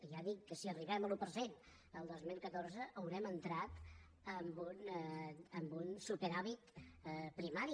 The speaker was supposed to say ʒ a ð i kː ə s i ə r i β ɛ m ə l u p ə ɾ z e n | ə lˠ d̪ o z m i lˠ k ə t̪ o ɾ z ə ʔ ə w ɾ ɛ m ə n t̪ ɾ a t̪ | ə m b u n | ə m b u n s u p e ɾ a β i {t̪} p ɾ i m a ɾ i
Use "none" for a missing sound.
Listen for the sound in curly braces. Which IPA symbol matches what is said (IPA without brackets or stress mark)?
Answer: t̪